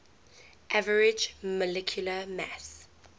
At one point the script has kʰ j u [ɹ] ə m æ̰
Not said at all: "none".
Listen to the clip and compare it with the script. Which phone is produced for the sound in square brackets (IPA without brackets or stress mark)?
l